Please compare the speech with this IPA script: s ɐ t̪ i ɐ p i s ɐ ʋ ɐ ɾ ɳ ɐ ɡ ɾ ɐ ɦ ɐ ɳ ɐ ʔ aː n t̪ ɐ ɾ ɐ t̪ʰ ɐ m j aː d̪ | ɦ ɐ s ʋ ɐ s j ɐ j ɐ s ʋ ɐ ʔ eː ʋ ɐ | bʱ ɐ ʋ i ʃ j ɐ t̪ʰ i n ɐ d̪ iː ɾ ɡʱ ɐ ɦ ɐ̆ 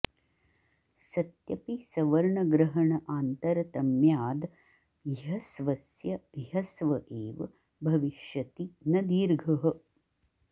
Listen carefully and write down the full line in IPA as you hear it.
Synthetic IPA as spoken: s ɐ t̪ j ɐ p i s ɐ ʋ ɐ ɾ ɳ ɐ ɡ ɾ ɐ ɦ ɐ ɳ ɐ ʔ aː n t̪ ɐ ɾ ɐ t̪ ɐ m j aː d̪ | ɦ ɐ s ʋ ɐ s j ɐ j ɐ s ʋ ɐ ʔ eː ʋ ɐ | bʱ ɐ ʋ i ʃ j ɐ t̪ i n ɐ d̪ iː ɾ ɡʱ ɐ ɦ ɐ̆